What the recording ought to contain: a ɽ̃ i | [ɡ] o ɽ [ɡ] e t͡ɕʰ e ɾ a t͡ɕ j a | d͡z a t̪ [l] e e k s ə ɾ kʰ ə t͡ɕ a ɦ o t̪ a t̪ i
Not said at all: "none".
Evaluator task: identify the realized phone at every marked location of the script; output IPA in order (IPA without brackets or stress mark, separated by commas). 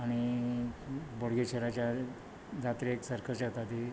b, ɡ, ɾ